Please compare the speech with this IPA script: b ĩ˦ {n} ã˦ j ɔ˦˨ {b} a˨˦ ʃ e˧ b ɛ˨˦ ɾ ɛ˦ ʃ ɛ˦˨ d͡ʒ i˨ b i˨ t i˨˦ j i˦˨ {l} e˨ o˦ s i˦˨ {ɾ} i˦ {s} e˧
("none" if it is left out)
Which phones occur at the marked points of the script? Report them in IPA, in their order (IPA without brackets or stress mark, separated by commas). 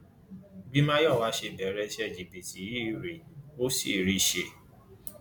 m, w, ɾ, ɾ, ʃ